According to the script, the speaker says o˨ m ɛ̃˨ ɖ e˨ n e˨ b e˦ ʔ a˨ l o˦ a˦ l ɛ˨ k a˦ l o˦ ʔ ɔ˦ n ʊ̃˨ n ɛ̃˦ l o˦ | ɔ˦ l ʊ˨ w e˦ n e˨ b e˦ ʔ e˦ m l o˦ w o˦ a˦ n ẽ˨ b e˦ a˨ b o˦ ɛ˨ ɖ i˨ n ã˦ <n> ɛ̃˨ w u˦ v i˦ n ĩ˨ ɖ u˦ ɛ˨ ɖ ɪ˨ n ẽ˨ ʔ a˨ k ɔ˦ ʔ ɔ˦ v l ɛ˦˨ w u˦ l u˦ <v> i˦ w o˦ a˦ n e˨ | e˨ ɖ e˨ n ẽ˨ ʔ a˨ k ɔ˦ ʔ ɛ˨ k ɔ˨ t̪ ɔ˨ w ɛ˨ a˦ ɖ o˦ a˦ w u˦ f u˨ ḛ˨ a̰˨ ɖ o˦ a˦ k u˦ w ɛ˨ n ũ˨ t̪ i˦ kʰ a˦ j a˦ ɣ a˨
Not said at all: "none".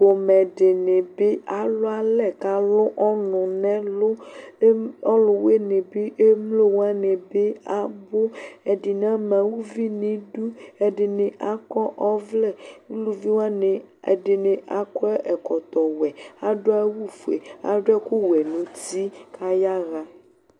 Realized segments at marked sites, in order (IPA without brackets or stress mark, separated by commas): m, v